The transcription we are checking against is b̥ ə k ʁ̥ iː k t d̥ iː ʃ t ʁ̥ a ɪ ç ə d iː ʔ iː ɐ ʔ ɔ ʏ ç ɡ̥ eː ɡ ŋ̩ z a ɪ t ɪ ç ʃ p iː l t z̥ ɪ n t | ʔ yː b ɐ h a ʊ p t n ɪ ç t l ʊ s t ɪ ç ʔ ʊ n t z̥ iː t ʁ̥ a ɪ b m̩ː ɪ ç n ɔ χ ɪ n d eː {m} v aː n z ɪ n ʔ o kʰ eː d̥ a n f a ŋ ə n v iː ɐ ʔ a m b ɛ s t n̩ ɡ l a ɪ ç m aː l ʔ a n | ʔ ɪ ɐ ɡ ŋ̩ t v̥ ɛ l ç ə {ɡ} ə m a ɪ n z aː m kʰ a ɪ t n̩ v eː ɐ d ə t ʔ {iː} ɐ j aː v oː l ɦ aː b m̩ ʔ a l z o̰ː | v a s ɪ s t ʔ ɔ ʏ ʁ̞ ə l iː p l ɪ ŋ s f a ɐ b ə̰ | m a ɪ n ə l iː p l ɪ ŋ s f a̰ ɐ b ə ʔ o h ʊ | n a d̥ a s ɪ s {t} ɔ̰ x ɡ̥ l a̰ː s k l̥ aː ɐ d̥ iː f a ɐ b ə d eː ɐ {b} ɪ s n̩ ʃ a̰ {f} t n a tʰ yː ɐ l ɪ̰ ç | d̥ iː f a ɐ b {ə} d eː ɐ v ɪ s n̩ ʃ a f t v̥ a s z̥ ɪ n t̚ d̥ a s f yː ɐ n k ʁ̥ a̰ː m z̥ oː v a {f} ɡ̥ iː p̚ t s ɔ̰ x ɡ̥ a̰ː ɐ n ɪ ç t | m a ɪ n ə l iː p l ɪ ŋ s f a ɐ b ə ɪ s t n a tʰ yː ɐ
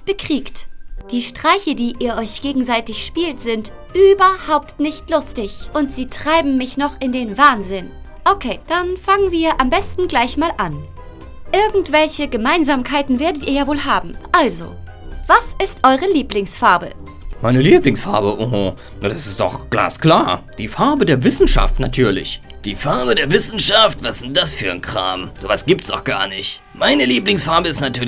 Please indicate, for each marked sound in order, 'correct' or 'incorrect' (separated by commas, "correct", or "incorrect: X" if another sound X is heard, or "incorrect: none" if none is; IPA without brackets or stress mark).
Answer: incorrect: n, correct, correct, correct, incorrect: v, correct, correct, incorrect: s